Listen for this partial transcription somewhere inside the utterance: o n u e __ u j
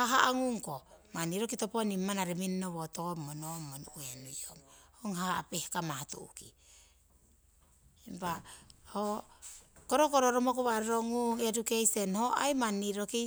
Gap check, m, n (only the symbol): n